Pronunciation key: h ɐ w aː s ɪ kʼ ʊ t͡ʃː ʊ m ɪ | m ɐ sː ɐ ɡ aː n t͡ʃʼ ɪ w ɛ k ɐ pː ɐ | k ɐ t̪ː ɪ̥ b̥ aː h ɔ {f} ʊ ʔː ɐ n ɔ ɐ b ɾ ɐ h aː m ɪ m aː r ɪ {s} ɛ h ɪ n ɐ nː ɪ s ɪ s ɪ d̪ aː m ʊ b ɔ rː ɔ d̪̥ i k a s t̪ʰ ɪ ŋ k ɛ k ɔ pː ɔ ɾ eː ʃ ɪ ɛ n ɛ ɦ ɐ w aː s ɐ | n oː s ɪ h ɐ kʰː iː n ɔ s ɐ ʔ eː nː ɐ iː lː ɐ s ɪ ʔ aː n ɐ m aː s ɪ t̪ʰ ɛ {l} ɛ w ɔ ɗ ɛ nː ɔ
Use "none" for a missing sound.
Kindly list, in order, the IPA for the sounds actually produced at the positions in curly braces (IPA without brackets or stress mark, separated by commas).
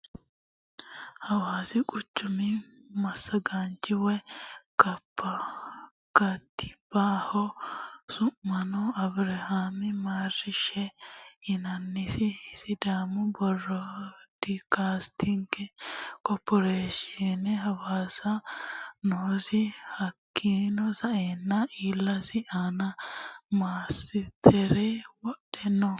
s, ʃ, ɾ